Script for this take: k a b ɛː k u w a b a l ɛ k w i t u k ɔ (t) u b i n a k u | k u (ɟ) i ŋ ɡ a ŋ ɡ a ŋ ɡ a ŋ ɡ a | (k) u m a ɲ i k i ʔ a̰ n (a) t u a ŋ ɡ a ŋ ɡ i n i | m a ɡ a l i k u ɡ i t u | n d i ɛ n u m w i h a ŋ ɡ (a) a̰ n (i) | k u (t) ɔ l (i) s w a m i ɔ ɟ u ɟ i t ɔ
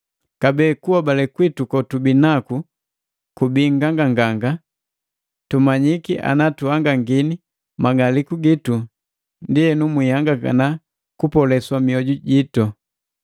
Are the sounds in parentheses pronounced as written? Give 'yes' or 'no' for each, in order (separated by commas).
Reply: yes, no, no, yes, yes, no, no, no